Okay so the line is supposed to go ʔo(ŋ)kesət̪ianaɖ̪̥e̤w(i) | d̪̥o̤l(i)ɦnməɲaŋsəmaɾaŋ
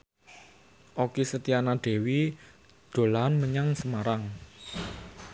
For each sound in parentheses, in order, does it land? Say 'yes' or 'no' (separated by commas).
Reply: no, yes, no